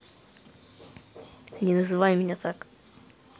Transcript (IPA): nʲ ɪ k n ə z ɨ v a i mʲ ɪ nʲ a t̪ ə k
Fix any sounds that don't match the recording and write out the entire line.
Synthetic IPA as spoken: nʲ ɪ n ə z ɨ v a j mʲ ɪ nʲ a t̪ a k